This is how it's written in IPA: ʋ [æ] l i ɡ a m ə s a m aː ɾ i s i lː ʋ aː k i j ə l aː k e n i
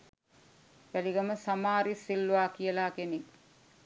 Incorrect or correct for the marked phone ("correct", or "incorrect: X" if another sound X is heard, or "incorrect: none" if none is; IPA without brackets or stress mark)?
correct